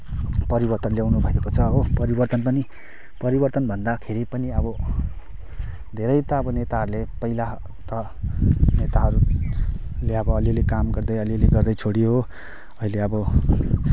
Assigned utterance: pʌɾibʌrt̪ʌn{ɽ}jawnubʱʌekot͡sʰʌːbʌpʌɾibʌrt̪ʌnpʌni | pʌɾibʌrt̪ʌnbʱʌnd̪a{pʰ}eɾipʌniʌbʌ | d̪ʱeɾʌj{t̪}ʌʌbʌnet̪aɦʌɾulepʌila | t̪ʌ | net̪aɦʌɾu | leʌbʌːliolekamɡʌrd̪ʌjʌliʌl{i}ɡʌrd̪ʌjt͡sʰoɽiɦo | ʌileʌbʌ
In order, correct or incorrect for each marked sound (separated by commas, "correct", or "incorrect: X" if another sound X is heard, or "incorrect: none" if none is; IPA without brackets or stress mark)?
incorrect: l, incorrect: kʰ, correct, incorrect: e